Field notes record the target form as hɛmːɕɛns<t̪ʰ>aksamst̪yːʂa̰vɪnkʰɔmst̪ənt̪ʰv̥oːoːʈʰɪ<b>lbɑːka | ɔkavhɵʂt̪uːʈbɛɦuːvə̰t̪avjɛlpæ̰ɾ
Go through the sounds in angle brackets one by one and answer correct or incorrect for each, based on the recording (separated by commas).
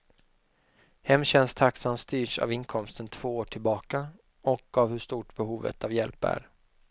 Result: correct, incorrect